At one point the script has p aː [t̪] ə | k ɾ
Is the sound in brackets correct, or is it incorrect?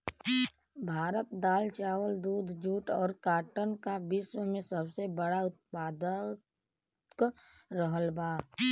incorrect: d̪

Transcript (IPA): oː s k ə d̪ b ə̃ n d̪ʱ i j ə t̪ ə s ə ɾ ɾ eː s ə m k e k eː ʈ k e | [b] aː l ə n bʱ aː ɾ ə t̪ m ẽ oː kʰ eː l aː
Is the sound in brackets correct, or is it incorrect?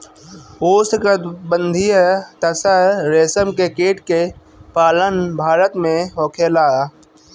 incorrect: p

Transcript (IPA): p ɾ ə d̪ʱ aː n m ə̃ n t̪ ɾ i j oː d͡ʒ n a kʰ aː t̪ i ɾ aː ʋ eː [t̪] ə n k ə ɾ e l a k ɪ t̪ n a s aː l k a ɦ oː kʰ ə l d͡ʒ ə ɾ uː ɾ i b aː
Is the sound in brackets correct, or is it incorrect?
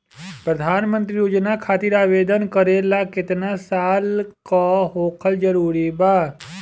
incorrect: d̪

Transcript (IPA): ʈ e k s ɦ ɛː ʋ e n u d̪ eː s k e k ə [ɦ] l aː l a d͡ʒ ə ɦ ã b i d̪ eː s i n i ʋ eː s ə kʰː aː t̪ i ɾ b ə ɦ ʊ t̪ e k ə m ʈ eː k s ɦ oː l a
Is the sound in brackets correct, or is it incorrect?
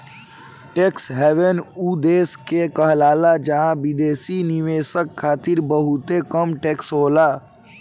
correct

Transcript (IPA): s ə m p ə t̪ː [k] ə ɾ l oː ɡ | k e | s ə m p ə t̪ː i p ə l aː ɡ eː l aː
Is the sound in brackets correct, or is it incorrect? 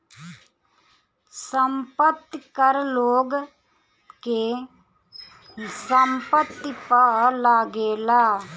correct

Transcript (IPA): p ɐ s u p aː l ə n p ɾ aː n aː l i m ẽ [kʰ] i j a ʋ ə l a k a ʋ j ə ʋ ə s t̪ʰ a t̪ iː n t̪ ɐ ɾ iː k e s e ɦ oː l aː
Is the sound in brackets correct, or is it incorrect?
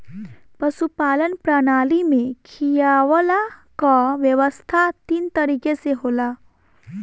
correct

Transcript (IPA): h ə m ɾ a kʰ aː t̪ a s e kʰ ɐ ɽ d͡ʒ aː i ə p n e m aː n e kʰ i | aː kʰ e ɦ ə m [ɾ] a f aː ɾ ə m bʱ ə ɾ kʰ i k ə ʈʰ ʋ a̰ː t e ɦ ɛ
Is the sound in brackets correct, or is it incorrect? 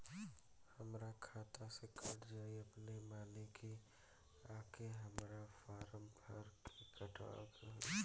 correct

